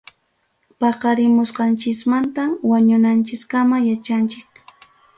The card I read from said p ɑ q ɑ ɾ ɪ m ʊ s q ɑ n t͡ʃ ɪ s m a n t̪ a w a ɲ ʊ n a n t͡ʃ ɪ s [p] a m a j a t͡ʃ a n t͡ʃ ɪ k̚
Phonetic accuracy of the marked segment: incorrect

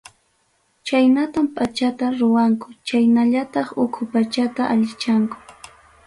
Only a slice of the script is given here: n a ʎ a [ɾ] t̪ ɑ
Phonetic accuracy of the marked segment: incorrect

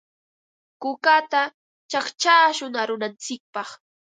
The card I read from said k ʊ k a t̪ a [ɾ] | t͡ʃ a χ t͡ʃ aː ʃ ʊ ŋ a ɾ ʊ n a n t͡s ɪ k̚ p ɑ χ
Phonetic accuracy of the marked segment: incorrect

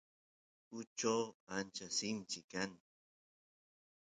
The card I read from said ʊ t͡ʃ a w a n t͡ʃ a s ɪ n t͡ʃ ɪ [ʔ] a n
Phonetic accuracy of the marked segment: incorrect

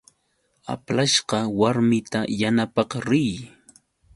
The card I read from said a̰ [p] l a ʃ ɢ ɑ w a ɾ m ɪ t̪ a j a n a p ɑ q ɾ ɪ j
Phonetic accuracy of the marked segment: correct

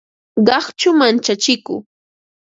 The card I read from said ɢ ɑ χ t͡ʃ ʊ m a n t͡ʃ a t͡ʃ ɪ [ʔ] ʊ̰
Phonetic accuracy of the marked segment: incorrect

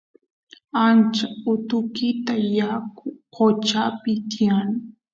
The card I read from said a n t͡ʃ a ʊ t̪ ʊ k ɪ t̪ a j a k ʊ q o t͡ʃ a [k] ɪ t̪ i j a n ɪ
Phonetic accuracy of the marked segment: incorrect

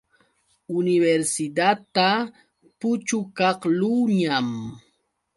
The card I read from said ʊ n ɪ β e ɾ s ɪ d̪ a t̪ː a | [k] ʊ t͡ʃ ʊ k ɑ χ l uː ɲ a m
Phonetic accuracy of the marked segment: incorrect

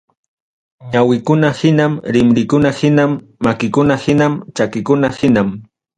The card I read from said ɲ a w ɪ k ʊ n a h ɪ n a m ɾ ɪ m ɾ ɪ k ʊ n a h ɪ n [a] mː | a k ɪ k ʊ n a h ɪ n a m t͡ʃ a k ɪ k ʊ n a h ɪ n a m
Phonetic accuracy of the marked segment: correct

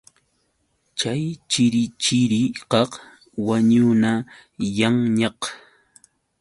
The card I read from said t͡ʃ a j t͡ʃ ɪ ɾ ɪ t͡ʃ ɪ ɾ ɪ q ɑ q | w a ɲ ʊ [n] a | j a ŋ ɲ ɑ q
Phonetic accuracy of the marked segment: correct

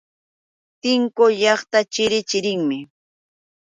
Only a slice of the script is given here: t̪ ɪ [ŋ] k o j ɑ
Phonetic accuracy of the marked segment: correct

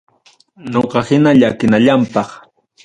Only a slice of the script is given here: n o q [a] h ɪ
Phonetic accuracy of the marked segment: incorrect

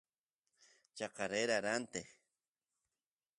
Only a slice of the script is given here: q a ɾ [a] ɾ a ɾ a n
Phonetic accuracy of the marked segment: incorrect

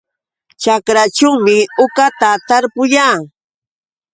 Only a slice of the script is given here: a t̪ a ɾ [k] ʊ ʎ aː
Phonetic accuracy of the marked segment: incorrect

